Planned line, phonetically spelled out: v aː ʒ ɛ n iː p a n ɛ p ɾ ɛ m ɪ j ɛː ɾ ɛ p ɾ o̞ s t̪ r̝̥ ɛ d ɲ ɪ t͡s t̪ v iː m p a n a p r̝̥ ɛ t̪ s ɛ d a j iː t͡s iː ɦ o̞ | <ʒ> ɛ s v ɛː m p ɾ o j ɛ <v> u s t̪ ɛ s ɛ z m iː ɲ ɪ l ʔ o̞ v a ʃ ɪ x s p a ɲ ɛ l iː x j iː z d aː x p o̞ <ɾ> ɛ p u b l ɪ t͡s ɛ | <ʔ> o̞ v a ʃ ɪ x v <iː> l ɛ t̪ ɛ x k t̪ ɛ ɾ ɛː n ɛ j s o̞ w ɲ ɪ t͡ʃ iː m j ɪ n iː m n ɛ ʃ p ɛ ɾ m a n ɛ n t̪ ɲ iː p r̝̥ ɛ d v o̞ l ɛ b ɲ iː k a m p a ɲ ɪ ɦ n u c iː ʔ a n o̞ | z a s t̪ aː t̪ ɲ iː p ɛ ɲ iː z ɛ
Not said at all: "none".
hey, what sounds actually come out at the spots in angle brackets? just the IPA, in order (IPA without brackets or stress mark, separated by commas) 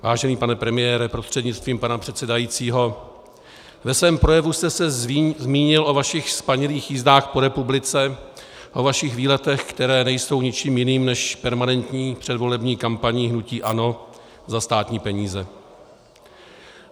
v, v, ɾ, ʔ, iː